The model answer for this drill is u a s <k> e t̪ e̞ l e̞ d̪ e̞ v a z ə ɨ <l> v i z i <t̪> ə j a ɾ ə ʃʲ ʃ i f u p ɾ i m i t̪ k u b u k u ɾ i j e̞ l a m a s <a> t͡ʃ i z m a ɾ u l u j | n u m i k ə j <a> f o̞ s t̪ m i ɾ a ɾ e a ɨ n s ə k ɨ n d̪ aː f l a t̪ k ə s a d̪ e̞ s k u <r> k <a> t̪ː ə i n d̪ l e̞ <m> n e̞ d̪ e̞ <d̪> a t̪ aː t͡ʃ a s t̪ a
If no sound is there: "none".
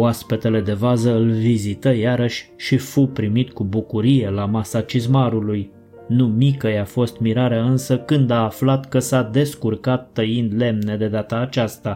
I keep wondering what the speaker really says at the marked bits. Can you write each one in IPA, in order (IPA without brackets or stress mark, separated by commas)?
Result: p, l, t̪, a, a, r, a, m, d̪